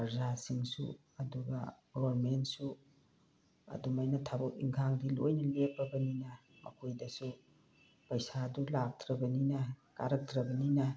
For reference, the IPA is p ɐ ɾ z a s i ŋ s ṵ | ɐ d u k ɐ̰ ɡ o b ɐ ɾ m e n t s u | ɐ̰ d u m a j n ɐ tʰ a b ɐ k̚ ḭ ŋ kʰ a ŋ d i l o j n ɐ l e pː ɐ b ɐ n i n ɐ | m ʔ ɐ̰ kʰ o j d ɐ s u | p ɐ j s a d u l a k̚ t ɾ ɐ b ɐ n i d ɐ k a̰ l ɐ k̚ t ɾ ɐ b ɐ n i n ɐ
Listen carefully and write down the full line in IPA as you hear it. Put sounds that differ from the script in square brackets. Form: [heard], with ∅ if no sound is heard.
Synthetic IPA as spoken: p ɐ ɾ z a s i ŋ s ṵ | ɐ d u [ɡ] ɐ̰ ɡ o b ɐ ɾ m e n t s u | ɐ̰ d u m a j n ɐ tʰ a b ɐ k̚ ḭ ŋ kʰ a ŋ d i l o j n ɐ l e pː ɐ b ɐ n i n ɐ | m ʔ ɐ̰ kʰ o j d ɐ s u | p ɐ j s a d u l a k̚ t ɾ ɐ b ɐ n i [n] ɐ k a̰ [ɾ] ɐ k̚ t ɾ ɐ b ɐ n i n ɐ

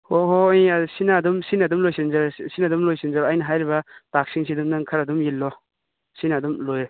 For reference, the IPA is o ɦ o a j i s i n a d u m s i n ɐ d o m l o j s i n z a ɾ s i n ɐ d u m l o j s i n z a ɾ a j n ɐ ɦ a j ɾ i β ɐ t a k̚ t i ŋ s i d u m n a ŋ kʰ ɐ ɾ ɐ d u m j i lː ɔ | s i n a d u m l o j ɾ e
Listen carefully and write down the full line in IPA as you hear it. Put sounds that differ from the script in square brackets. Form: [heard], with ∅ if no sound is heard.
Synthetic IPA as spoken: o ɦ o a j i s i n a d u m s i n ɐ d [u] m l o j s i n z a ɾ s i n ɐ d u m l o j s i n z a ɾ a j n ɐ ɦ a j ɾ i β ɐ t a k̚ [s] i ŋ s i d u m n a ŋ kʰ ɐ ɾ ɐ d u m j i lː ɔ | s i n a d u m l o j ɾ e

